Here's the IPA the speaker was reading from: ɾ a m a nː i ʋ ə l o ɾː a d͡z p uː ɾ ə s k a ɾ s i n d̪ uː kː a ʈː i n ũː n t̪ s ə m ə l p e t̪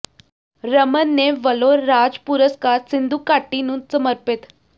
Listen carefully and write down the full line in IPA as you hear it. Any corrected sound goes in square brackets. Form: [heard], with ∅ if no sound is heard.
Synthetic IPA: ɾ [ə] m [ə] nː [e] ʋ ə l o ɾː a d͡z p [u] ɾ ə s k a ɾ s i n d̪ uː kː a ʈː i n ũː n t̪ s ə m ə [ɾ] p e t̪